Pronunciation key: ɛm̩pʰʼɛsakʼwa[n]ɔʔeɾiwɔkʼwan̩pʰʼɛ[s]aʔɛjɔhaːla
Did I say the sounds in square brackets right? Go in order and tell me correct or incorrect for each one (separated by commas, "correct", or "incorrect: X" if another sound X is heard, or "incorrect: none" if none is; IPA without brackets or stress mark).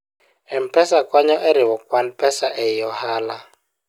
incorrect: ɲ, correct